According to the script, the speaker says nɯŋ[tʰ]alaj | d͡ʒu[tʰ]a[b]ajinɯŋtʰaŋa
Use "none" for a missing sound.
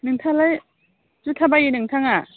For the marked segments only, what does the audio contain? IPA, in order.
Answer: tʰ, tʰ, b

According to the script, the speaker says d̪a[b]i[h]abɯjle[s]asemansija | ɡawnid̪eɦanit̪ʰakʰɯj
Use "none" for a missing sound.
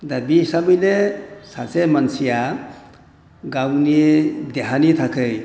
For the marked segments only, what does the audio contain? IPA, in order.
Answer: b, s, s

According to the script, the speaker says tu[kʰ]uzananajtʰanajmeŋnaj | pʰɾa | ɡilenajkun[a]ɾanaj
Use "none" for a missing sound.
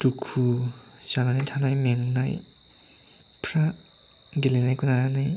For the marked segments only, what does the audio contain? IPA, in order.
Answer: kʰ, a

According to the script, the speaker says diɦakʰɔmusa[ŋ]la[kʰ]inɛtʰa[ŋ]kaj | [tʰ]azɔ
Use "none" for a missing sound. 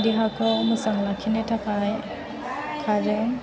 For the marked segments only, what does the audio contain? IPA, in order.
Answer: ŋ, kʰ, none, kʰ

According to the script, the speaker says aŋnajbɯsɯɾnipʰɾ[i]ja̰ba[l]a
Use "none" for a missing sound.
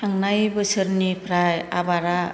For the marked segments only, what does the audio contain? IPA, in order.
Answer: a, ɾ

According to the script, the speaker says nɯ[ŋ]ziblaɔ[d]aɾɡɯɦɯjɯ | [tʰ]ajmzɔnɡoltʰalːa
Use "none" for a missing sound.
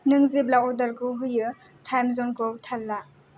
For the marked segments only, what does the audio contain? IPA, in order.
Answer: ŋ, d, tʰ

